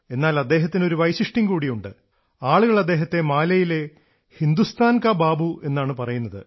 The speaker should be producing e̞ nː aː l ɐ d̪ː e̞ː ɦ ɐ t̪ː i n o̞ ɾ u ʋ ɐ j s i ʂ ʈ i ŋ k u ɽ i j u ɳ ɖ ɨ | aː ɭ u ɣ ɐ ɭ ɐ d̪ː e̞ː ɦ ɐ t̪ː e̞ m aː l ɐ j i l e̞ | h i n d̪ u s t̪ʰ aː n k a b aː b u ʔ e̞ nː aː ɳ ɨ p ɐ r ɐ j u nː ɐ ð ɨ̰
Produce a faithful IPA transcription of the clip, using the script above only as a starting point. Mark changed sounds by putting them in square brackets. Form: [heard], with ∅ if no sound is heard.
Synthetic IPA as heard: e̞ nː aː l ɐ d̪ː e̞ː ɦ ɐ t̪ː i n o̞ ɾ u ʋ ɐ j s i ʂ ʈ i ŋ k [uː] ɽ i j u ɳ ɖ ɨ | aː ɭ u ɣ ɐ ɭ ɐ d̪ː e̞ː ɦ ɐ t̪ː e̞ m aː l ɐ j i l e̞ | h i n d̪ u s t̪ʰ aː n k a b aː b u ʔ e̞ nː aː ɳ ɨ p ɐ r ɐ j u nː ɐ ð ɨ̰